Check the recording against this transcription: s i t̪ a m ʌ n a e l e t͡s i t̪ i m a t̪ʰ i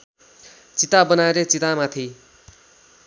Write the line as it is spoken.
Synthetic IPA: t͡s i t̪ a b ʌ n a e ɾ e t͡s i t̪ a m a t̪ʰ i